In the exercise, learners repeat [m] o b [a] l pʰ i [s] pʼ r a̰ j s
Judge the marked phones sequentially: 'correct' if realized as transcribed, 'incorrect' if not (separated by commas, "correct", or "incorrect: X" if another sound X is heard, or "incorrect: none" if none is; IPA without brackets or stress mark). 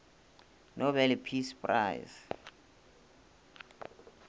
incorrect: n, incorrect: ɛ, correct